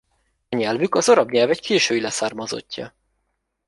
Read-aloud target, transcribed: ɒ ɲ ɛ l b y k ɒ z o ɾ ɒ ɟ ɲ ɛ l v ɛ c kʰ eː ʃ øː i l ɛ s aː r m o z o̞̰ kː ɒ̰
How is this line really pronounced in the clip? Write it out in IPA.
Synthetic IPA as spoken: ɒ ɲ ɛ l v y k ɒ z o ɾ ɒ b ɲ ɛ l v ɛ c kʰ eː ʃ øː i l ɛ s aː r m ɒ z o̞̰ cː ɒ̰